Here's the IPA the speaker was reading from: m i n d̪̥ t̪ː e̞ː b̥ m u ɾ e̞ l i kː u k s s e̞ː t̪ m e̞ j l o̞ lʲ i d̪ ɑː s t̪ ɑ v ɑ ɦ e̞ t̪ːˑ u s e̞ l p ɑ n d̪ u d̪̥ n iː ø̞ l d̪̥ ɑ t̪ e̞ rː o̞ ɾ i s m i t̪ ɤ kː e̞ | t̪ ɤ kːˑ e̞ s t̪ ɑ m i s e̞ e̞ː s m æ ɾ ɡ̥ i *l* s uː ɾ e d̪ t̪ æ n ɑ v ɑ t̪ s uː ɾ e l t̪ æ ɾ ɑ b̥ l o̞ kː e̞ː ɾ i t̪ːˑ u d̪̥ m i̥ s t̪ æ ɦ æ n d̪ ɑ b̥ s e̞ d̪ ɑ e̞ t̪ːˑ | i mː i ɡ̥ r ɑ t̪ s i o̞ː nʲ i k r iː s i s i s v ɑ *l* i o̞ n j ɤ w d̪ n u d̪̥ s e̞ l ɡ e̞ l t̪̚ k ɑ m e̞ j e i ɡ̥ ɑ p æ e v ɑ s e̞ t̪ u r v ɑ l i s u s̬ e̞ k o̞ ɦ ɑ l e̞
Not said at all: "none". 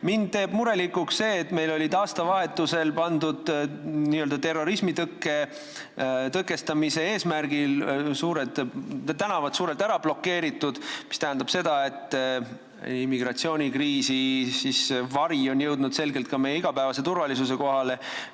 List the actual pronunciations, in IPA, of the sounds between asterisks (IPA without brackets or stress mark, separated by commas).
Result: l, ɾ